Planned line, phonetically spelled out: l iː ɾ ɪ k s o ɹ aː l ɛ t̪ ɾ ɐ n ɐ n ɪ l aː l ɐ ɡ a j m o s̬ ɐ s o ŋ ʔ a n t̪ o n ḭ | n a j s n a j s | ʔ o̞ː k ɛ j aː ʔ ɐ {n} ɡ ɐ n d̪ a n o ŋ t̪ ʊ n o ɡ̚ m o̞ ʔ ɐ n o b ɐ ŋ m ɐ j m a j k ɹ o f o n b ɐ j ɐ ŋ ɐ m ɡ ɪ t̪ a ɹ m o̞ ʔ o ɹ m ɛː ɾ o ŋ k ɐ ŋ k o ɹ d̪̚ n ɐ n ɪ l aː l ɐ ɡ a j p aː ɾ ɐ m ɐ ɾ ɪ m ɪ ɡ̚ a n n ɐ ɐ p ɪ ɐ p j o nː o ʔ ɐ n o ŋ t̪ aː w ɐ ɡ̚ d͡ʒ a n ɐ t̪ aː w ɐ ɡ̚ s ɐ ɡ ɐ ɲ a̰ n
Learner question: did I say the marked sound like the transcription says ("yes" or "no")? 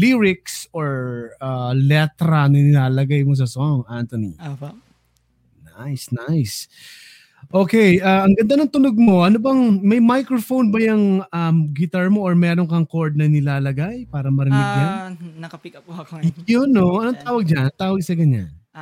no